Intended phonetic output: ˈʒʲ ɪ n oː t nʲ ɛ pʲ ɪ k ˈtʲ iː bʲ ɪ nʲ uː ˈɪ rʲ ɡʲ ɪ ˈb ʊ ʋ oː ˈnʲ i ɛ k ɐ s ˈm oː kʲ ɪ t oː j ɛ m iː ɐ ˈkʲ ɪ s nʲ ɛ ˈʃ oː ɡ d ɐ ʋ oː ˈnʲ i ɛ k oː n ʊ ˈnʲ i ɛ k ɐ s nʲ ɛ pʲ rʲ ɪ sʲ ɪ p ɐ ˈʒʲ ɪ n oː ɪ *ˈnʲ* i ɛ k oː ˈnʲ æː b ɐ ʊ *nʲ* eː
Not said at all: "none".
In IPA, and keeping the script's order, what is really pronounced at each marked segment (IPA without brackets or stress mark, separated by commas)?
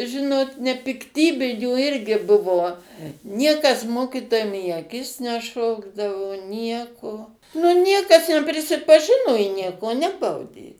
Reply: nʲ, dʲ